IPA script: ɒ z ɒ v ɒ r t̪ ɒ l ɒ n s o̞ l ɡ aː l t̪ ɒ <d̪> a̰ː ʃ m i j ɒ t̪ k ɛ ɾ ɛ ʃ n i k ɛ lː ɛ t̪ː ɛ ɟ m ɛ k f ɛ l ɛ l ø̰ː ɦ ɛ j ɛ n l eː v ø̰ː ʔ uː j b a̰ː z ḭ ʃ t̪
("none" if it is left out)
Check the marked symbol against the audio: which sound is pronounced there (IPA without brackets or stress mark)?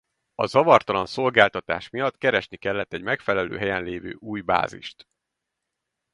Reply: t̪